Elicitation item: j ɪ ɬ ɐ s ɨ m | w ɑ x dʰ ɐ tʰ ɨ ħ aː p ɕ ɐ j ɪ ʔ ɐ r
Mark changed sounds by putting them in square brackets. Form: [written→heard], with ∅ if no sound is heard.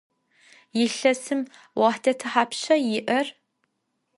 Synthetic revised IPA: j ɪ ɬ ɐ s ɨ m | w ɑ [x→ħ] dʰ ɐ tʰ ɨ ħ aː p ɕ ɐ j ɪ ʔ ɐ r